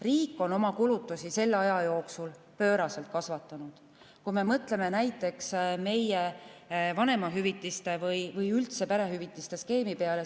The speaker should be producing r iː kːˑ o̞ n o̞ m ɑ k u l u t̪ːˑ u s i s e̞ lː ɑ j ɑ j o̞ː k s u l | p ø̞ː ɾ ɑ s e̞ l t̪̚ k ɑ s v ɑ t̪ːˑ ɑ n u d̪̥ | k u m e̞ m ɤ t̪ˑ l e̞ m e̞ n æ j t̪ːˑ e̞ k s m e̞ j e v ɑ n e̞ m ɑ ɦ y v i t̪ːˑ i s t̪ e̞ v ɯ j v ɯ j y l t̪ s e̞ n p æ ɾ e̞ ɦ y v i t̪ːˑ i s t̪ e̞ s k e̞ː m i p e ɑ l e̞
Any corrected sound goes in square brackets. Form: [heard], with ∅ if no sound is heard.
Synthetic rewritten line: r iː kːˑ o̞ n o̞ m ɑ k u l u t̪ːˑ u s i s e̞ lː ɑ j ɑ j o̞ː k s u l | p ø̞ː ɾ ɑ s e̞ l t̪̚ k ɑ s v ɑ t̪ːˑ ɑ n u d̪̥ | k u m e̞ m ɤ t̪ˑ l e̞ m e̞ n æ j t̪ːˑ e̞ k s m e̞ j e v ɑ n e̞ m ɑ ɦ y v i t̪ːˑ i s t̪ e̞ v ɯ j v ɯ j y l t̪ s e̞ [∅] p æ ɾ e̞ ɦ y v i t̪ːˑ i s t̪ e̞ s k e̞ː m i p e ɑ l e̞